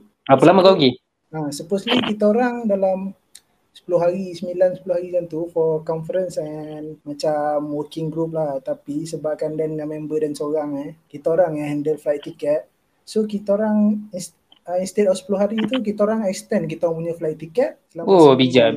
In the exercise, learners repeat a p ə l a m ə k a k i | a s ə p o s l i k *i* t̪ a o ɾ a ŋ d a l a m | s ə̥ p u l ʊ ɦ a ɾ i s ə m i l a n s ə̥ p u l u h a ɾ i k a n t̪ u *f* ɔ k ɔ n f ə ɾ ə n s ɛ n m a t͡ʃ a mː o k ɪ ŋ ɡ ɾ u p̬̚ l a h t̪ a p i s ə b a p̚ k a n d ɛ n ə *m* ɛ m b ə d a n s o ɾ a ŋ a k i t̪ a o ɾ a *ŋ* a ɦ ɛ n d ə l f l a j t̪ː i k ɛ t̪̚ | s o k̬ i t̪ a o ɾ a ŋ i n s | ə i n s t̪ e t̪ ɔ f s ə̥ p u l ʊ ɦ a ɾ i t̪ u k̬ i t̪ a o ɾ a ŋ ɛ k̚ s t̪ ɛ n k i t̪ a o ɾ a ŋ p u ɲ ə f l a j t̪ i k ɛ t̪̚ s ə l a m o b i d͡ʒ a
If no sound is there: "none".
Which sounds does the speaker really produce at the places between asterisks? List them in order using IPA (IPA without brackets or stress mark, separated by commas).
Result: i, f, m, ŋ